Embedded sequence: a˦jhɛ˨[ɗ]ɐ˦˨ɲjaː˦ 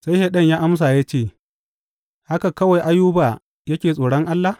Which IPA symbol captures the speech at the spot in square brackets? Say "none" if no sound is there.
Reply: ɗ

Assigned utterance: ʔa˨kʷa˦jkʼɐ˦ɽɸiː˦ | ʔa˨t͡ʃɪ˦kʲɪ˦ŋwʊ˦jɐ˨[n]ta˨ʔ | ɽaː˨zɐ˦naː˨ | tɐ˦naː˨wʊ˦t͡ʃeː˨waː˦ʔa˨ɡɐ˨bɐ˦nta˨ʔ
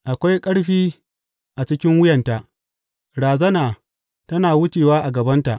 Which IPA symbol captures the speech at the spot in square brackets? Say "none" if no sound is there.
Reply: n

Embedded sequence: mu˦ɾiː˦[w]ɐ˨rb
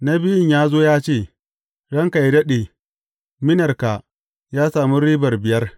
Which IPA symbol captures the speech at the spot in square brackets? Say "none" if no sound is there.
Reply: b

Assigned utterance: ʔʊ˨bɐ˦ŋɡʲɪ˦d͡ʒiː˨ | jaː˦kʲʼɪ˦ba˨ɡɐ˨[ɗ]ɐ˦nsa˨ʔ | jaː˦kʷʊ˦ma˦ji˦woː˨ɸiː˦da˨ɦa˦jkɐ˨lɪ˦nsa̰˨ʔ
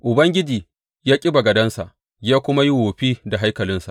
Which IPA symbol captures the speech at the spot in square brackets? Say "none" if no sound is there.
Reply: d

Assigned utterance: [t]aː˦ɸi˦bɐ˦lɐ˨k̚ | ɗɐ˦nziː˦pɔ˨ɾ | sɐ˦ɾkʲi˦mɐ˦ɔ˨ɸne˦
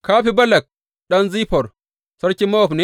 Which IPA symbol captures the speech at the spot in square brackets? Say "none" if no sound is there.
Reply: k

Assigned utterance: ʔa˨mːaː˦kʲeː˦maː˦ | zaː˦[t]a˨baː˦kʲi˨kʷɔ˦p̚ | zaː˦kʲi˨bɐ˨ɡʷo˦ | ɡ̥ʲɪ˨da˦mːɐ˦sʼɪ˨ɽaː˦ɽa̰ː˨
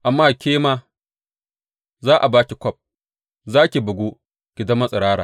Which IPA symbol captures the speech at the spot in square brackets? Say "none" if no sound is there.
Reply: ʔ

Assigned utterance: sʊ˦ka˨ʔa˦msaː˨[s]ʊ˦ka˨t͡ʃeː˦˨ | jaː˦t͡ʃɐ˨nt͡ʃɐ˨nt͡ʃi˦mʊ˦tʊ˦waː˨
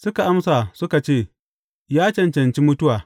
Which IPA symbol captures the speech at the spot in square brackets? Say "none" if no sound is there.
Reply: s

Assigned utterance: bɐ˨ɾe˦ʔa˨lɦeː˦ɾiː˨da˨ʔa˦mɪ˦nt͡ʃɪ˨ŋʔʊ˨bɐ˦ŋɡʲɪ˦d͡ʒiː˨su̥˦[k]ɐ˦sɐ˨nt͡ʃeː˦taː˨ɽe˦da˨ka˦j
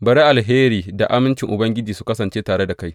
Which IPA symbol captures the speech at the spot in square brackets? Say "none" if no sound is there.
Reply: k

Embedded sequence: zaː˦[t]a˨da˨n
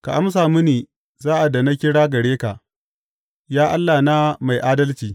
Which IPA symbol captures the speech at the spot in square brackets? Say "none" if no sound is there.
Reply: ʔ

